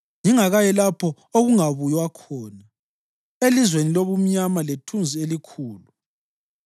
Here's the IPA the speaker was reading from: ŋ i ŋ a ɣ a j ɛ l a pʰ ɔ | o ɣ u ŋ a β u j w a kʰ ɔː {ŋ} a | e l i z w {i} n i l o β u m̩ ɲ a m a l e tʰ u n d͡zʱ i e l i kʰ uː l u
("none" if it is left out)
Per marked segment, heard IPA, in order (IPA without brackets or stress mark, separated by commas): n, e